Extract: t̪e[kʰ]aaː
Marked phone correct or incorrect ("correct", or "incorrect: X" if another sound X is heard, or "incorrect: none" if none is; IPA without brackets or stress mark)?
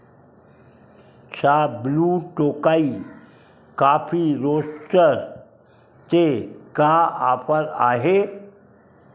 incorrect: k